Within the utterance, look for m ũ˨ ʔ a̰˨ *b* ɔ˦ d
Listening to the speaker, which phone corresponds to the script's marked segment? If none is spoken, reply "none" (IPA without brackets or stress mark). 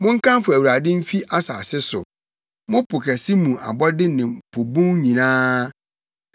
b